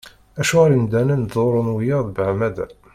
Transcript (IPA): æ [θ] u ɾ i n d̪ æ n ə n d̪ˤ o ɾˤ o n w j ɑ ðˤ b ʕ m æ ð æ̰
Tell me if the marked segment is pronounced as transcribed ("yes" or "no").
no